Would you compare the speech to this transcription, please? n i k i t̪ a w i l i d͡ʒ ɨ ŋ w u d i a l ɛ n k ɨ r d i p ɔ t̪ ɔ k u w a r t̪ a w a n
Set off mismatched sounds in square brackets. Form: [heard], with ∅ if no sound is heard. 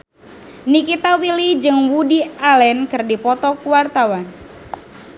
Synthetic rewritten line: n i k i t̪ a w i l i d͡ʒ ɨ ŋ w u d i a l ɛ n k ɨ r d i p ɔ t̪ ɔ k u w a r t̪ a w a n